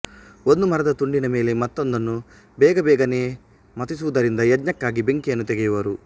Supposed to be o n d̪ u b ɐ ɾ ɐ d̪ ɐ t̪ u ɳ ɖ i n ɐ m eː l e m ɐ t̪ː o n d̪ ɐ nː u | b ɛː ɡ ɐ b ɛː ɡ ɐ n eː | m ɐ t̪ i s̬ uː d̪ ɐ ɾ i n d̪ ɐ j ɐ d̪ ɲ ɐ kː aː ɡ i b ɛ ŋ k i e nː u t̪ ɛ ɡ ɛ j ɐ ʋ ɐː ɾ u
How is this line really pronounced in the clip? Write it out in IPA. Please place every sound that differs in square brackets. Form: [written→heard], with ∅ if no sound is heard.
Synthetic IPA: o n d̪ u [b→m] ɐ ɾ ɐ d̪ ɐ t̪ u ɳ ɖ i n ɐ m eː l e m ɐ t̪ː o n d̪ ɐ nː u | b ɛː ɡ ɐ b ɛː ɡ ɐ n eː | m ɐ t̪ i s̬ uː d̪ ɐ ɾ i n d̪ ɐ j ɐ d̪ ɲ ɐ kː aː ɡ i b [ɛ→e] ŋ k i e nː u t̪ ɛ ɡ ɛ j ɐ ʋ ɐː ɾ u